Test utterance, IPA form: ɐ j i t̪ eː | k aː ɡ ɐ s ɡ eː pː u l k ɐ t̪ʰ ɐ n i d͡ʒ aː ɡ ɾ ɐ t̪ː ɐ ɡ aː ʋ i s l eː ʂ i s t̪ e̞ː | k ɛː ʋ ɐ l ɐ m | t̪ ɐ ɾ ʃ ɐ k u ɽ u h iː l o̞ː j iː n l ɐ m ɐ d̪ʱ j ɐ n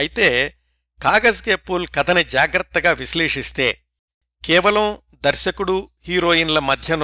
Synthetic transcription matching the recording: ɐ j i t̪ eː | k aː ɡ ɐ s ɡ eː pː u l k ɐ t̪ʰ ɐ n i d͡ʒ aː ɡ ɾ ɐ t̪ː ɐ ɡ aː ʋ i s l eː ʂ i s t̪ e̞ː | k ɛː ʋ ɐ l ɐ m | d̪ ɐ ɾ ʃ ɐ k u ɽ u h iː ɾ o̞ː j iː n l ɐ m ɐ d̪ʱ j ɐ n